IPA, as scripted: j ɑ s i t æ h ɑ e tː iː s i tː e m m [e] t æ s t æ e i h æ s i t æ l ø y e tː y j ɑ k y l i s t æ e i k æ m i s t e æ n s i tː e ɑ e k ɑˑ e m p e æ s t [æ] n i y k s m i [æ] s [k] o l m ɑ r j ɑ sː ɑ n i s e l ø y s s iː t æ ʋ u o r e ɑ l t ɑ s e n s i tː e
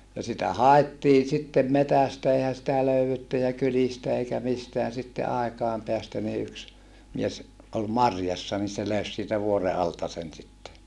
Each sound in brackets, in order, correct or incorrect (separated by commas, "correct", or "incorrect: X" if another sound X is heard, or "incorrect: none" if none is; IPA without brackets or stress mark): correct, correct, incorrect: e, incorrect: ʔ